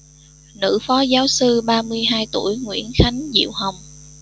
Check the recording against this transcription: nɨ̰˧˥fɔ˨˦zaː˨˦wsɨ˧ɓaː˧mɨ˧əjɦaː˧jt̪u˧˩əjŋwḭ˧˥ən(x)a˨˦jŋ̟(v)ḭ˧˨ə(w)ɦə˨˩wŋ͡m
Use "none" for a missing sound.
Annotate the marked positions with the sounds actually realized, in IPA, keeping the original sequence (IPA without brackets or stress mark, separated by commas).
x, z, w